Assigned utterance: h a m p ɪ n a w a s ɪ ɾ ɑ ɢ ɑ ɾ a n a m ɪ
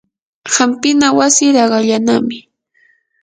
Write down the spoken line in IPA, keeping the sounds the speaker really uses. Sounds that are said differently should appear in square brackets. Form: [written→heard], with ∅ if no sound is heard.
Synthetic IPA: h a m p ɪ n a w a s ɪ ɾ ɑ ɢ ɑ [ɾ→ʎ] a n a m ɪ